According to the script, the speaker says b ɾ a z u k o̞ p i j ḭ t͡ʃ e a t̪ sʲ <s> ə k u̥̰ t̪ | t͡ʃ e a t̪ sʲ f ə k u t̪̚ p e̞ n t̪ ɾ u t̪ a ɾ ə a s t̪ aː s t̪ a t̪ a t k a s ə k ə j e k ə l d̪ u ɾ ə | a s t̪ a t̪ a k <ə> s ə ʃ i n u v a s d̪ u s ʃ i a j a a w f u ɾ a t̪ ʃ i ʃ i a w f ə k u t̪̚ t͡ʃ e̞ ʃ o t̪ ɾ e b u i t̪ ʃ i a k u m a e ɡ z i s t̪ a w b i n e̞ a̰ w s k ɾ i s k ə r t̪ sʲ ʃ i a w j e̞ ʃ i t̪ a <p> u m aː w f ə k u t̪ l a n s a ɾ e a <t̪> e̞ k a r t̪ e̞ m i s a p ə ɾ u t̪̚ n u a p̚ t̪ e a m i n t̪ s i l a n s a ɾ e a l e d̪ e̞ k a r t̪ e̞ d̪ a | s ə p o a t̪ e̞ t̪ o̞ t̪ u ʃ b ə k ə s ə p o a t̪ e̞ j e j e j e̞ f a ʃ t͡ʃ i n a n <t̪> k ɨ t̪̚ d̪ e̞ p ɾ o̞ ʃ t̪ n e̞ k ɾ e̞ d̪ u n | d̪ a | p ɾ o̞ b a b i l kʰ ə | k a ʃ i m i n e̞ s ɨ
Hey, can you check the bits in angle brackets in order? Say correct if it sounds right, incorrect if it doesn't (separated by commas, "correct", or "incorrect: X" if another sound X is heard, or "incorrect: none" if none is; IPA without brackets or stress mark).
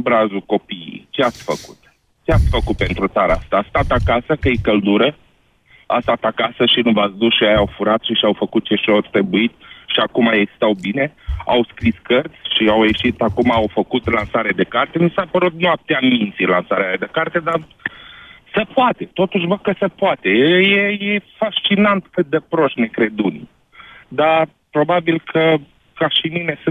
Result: incorrect: f, incorrect: a, incorrect: k, incorrect: d̪, correct